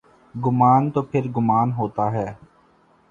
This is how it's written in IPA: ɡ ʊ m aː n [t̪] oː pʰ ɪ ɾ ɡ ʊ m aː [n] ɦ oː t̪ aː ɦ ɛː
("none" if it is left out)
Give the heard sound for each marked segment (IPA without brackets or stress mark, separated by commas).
t̪, n